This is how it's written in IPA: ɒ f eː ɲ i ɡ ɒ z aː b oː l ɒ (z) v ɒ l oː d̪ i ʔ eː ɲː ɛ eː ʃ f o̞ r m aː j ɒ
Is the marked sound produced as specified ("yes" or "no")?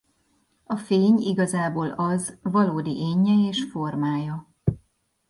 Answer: yes